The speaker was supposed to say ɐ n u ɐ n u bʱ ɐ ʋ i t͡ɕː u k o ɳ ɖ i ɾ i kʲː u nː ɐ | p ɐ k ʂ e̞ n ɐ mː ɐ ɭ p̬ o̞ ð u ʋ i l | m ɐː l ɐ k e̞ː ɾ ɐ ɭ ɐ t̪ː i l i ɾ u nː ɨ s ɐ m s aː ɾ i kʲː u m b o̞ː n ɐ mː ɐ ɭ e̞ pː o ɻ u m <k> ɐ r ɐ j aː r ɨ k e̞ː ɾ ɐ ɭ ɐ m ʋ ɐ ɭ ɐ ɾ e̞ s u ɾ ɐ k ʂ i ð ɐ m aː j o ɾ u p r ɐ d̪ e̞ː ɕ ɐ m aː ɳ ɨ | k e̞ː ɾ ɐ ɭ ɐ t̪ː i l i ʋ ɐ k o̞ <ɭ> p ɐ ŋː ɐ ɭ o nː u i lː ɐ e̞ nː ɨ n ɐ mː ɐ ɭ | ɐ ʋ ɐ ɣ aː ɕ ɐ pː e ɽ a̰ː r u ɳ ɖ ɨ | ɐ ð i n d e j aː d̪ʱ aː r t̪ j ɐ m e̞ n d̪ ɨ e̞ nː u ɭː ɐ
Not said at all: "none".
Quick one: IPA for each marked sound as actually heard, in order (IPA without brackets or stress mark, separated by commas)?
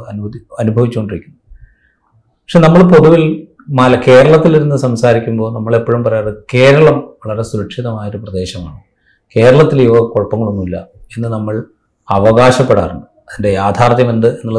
p, ɭ